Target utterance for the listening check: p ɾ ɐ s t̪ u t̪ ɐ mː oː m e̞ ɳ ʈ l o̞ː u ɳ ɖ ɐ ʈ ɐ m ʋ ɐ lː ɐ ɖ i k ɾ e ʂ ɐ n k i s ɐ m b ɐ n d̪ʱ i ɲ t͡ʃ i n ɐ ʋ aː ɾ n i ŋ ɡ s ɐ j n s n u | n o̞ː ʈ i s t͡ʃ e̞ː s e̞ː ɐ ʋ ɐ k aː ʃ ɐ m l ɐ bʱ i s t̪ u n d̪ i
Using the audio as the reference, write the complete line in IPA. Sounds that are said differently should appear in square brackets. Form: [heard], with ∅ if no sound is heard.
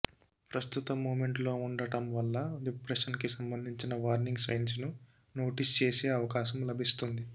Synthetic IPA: p ɾ ɐ s t̪ u t̪ ɐ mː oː m e̞ ɳ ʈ l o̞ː u ɳ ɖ ɐ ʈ ɐ m ʋ ɐ lː ɐ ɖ i [p] ɾ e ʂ ɐ n k i s ɐ m b ɐ n d̪ʱ i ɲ t͡ʃ i n ɐ ʋ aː ɾ n i ŋ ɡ s ɐ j n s n u | n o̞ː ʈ i s t͡ʃ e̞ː s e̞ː ɐ ʋ ɐ k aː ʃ ɐ m l ɐ bʱ i s t̪ u n d̪ i